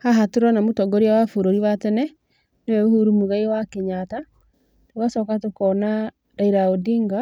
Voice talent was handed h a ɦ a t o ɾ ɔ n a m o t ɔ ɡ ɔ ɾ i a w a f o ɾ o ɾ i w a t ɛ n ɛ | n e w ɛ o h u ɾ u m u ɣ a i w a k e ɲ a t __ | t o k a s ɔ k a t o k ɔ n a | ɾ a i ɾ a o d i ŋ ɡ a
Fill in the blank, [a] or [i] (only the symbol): a